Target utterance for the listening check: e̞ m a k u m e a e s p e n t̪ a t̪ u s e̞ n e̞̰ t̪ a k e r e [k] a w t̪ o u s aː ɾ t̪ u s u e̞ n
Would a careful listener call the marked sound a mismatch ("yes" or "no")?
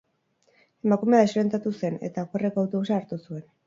no